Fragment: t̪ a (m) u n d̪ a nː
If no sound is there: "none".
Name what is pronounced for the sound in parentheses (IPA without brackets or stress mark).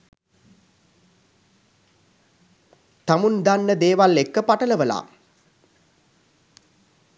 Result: m